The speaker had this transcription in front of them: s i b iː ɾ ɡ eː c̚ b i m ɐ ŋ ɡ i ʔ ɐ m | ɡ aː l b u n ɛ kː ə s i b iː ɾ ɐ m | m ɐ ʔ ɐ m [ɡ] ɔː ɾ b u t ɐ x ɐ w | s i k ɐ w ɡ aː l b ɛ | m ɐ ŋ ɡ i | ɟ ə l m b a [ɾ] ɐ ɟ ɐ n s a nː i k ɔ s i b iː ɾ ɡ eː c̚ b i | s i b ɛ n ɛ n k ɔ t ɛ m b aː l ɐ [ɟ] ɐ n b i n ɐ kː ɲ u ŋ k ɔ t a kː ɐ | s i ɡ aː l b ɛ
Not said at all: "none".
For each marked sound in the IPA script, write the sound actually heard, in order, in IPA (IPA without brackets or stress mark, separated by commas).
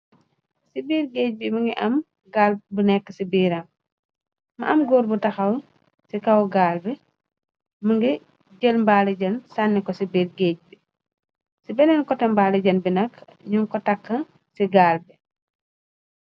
ɡ, l, ɟ